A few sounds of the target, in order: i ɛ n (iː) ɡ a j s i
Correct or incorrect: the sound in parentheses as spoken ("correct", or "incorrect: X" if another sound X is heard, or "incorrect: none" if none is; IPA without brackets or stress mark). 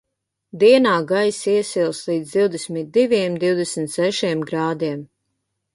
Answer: incorrect: aː